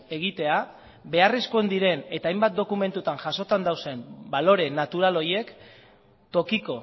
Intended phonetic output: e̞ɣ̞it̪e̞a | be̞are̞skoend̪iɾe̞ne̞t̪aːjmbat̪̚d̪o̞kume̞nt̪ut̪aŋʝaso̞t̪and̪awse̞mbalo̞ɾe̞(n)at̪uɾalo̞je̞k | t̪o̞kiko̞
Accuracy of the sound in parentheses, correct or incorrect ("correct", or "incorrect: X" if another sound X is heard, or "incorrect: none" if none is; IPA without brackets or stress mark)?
correct